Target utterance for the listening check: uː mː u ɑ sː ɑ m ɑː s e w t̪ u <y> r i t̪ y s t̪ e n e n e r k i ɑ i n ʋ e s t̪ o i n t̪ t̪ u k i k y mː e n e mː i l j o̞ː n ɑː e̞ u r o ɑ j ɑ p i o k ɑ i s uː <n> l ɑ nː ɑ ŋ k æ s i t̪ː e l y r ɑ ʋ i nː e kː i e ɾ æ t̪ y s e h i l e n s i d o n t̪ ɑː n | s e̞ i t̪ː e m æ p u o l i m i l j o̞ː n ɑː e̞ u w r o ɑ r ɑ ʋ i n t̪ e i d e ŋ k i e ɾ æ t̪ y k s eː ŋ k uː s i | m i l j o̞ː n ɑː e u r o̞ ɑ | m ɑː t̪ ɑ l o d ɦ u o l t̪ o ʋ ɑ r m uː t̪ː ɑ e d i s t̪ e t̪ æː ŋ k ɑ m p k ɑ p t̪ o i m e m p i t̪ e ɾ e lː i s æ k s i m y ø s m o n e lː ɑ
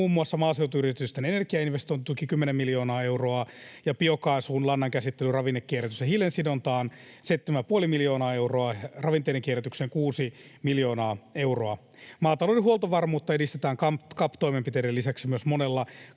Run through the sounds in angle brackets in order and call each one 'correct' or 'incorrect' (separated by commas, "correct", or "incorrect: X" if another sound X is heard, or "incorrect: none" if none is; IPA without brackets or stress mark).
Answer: correct, correct